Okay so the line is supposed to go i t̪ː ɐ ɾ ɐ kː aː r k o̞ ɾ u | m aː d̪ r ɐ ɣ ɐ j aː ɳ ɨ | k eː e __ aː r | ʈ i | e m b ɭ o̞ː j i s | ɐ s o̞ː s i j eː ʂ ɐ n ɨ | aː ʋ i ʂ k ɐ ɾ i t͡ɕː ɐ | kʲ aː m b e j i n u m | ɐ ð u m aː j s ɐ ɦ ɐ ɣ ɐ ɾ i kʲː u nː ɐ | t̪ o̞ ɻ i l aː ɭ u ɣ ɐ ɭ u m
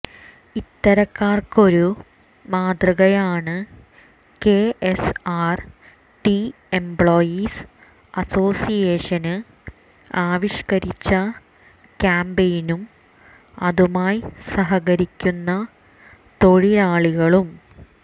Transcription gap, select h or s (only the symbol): s